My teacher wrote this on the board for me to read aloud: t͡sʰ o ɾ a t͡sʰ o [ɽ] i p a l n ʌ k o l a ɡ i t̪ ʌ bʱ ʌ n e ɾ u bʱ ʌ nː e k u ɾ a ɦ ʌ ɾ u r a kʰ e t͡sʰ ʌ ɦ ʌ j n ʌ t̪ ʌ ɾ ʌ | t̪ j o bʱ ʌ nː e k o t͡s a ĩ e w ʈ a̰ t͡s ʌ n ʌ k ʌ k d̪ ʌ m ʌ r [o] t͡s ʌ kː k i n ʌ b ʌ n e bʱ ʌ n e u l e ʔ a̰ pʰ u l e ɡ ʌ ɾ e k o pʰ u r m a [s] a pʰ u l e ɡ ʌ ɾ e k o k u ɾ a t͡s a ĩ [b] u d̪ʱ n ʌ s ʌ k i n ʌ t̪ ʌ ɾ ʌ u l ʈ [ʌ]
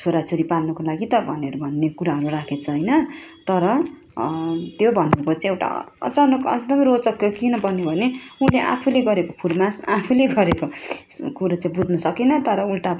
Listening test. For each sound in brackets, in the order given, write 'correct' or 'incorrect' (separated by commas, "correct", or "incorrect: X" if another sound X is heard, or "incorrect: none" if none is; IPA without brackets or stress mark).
incorrect: ɾ, correct, correct, correct, incorrect: a